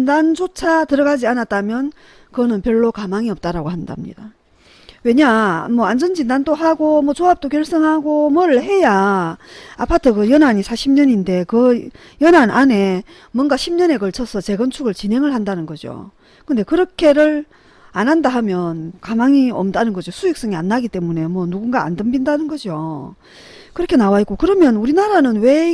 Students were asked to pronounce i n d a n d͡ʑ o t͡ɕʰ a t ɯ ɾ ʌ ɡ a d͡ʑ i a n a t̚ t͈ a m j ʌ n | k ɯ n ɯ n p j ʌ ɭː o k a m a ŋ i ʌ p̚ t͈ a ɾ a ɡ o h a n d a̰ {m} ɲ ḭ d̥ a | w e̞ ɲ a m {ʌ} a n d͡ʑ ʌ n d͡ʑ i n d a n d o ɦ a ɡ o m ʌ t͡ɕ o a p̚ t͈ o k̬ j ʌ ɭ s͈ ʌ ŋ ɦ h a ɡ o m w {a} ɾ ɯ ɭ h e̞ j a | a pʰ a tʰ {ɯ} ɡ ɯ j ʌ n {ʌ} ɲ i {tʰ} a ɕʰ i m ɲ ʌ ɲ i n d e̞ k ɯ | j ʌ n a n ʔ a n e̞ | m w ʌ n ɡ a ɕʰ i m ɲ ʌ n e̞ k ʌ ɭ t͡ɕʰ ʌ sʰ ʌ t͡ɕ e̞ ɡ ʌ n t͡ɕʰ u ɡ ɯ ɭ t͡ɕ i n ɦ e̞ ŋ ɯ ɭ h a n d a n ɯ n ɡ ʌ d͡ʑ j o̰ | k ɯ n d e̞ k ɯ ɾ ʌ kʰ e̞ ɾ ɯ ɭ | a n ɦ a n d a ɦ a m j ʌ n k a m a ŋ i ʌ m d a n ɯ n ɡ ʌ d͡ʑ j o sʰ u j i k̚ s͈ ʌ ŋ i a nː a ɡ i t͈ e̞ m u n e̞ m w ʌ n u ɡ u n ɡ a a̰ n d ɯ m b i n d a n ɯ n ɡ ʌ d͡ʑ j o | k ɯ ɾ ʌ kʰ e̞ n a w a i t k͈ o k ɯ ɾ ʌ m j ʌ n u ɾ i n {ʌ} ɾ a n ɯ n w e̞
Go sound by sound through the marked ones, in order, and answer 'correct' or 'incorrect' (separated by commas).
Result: correct, correct, incorrect, correct, incorrect, incorrect, incorrect